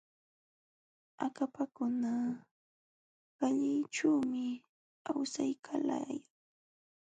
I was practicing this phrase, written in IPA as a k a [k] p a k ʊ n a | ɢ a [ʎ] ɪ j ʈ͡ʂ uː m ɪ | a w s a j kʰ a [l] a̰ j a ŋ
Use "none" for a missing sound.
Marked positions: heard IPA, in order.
none, ʎ, l

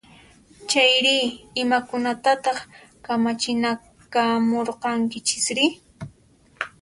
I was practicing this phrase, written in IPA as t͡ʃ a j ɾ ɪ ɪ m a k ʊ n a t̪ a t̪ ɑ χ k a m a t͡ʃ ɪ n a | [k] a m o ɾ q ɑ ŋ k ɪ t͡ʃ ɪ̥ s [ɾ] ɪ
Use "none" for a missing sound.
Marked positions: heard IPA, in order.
k, ɾ

